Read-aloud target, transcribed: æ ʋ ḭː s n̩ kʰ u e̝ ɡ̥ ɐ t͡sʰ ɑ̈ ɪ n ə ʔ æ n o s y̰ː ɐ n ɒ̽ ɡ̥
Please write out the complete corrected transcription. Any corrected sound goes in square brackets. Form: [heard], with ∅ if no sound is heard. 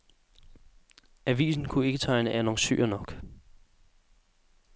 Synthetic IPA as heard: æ ʋ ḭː s n̩ kʰ u e̝ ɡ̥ [ə] t͡sʰ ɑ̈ ɪ n ə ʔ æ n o s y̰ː ɐ n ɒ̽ ɡ̥